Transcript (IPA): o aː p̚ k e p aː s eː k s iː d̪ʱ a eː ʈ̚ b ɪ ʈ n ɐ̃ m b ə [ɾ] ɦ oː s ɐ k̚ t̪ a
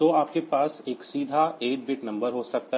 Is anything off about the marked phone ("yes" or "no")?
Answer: no